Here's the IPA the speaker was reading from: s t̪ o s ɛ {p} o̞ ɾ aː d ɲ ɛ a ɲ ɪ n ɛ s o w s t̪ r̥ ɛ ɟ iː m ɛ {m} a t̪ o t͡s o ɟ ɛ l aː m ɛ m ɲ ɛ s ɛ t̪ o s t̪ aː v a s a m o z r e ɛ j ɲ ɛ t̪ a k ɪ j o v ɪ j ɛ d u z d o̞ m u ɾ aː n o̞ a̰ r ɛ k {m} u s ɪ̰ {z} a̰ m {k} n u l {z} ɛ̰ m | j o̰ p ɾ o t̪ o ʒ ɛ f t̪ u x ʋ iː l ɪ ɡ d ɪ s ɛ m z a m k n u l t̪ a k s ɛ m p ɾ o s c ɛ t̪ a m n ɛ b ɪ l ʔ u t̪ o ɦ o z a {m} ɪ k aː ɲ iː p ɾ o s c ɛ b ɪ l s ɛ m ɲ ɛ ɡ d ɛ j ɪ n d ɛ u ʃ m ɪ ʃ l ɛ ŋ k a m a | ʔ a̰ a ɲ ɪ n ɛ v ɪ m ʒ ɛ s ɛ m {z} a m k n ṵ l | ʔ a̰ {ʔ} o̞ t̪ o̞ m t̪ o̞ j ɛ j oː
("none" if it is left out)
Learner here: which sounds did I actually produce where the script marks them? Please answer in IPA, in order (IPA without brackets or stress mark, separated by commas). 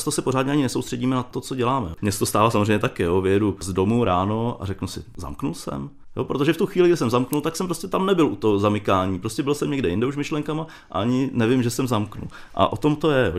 p, n, n, z, k, s, m, z, ʔ